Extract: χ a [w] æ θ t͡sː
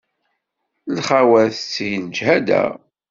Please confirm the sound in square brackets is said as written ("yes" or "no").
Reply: yes